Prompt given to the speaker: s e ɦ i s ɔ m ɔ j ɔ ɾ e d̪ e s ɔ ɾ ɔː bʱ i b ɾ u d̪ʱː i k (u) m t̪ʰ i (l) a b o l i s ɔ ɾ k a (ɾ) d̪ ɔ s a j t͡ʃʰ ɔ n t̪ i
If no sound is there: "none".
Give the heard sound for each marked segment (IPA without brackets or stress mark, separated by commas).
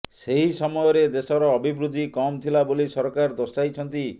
ɔ, l, ɾ